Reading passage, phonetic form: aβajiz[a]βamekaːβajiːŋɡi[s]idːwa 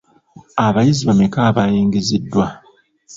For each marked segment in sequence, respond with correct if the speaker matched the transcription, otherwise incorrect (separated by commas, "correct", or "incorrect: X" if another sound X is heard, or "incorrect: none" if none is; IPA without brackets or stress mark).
incorrect: i, incorrect: z